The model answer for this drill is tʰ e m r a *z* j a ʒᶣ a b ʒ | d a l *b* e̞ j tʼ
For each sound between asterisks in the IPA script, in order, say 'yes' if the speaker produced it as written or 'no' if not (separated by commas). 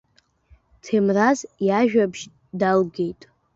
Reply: yes, no